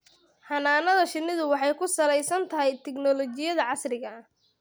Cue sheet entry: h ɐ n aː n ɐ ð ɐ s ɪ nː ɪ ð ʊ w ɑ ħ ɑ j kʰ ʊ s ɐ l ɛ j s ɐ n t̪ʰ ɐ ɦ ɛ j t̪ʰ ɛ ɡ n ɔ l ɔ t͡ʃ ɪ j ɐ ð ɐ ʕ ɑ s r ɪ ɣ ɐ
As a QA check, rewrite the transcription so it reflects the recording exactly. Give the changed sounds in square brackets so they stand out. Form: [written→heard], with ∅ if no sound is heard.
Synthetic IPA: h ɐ n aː n ɐ ð ɐ [s→ʃ] ɪ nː ɪ ð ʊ w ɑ ħ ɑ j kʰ ʊ s ɐ l ɛ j s ɐ n t̪ʰ ɐ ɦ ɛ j t̪ʰ ɛ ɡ n ɔ l ɔ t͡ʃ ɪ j ɐ ð ɐ ʕ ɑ s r ɪ ɣ ɐ